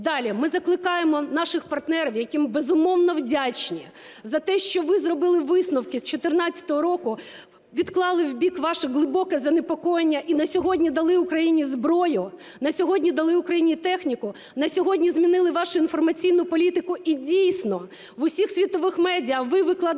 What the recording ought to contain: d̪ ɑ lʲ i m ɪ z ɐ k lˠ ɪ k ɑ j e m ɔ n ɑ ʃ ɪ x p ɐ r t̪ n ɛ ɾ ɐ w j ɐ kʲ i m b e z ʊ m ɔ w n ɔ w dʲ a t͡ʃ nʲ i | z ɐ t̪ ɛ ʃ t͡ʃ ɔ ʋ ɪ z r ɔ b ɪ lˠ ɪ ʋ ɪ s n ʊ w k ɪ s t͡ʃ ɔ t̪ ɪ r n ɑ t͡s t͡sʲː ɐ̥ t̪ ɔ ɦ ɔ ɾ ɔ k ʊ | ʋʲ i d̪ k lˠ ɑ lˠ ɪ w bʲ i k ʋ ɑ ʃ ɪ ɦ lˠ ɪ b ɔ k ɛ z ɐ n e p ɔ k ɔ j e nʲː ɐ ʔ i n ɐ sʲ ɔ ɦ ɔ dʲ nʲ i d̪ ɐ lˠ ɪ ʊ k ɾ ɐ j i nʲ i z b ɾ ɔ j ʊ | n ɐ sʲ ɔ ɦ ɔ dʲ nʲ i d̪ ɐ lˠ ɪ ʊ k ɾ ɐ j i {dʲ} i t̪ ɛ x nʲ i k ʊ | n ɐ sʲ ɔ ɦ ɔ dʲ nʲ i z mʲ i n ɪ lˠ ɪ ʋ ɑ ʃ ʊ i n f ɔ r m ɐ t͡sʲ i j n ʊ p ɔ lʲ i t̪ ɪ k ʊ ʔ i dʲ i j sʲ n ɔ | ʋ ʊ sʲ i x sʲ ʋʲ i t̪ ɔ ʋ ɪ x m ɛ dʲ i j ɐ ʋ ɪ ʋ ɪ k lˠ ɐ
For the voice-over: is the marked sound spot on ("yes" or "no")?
no